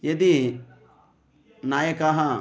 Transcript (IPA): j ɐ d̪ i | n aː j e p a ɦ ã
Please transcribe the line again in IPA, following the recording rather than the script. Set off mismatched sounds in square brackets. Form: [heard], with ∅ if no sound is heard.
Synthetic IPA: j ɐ d̪ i | n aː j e [k] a ɦ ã